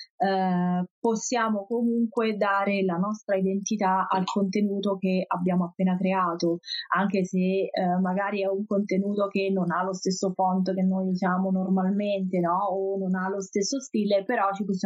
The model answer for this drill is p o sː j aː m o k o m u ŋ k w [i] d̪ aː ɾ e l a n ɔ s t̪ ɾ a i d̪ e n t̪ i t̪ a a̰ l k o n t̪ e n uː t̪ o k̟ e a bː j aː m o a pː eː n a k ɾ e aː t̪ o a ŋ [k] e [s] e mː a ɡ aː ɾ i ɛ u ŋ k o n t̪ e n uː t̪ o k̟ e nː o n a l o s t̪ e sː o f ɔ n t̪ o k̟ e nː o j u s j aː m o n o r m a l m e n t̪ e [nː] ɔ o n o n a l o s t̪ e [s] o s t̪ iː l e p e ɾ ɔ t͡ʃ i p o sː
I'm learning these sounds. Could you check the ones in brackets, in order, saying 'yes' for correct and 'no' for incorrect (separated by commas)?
no, yes, yes, no, no